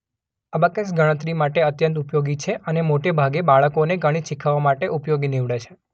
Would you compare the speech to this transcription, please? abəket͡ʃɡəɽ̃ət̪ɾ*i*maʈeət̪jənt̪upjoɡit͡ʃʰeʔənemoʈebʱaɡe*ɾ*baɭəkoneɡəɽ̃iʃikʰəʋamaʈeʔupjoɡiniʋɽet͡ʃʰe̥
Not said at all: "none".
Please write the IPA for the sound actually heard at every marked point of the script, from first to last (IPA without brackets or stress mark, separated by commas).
i, none